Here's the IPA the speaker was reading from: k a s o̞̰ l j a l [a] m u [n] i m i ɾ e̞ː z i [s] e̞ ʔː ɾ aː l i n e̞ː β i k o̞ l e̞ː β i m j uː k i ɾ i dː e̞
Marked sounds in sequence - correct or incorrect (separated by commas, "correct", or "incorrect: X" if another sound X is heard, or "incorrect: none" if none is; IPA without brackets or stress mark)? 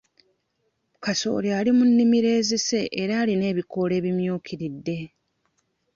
incorrect: i, incorrect: nː, correct